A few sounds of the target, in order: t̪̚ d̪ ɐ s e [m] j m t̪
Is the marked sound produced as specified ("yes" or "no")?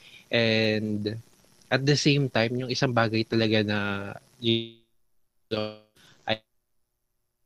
no